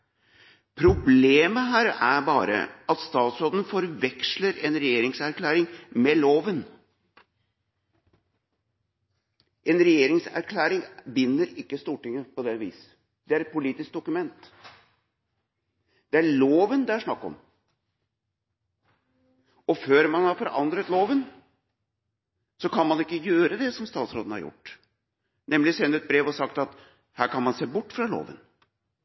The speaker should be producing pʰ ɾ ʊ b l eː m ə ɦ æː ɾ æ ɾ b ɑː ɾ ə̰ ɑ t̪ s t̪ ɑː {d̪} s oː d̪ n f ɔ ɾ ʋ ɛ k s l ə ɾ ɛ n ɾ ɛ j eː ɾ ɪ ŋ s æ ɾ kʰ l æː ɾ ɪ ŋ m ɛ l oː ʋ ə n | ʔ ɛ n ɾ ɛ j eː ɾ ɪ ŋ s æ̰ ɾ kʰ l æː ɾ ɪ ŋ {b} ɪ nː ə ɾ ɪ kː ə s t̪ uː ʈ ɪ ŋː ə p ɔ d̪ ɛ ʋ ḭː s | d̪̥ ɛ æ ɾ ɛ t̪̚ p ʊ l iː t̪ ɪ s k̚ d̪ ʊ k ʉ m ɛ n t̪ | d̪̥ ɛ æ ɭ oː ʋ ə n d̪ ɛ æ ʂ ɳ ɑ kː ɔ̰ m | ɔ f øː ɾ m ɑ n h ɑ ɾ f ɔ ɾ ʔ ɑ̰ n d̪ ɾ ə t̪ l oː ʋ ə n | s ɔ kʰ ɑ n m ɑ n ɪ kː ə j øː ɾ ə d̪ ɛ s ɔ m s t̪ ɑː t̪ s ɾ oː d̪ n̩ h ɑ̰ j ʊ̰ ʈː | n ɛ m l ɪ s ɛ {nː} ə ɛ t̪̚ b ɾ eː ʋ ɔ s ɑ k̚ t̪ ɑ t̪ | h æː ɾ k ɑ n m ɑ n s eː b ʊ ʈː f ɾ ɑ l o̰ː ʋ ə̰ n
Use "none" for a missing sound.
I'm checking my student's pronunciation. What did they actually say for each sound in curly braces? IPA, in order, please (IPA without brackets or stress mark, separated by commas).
t̪, b, nː